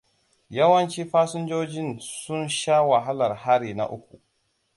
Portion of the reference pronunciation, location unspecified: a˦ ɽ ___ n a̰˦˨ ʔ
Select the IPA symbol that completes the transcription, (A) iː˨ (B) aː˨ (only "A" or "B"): A